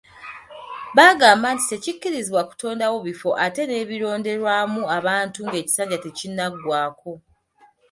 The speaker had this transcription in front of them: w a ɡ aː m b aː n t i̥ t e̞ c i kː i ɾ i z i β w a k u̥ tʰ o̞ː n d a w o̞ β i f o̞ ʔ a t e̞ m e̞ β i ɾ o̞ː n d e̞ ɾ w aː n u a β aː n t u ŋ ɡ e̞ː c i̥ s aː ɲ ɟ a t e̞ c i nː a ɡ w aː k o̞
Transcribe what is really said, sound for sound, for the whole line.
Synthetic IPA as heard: β a ɡ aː m b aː n t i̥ t e̞ c i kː i ɾ i z i β w a k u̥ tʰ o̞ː n d a w o̞ β i f o̞ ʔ a t e̞ n e̞ β i ɾ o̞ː n d e̞ ɾ w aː m u a β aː n t u ŋ ɡ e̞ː c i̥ s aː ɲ ɟ a t e̞ c i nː a ɡ w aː k o̞